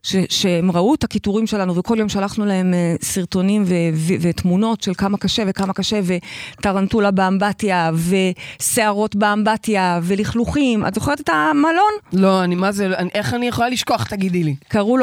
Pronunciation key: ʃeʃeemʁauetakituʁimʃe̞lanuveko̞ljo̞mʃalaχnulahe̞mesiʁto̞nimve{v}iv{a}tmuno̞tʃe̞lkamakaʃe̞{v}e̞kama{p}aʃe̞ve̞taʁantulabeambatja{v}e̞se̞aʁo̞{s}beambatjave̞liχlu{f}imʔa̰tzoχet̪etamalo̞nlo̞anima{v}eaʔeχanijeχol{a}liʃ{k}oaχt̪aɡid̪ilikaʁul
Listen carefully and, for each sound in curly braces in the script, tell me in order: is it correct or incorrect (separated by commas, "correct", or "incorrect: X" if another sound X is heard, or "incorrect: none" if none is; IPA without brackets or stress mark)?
correct, incorrect: e, correct, incorrect: k, correct, incorrect: t, incorrect: χ, incorrect: z, correct, correct